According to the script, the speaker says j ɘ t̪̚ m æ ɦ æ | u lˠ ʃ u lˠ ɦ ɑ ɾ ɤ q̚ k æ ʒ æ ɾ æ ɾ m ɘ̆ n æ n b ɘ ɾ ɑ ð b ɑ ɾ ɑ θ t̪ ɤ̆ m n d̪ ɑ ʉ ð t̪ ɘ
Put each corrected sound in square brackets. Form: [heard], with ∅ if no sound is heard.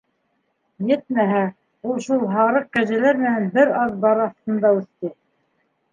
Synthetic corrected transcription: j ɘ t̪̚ m æ ɦ æ | u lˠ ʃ u lˠ ɦ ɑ ɾ ɤ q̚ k æ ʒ æ [l] æ ɾ m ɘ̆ n æ n b ɘ ɾ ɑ ð b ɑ ɾ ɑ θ t̪ ɤ̆ [∅] n d̪ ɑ ʉ [θ] t̪ ɘ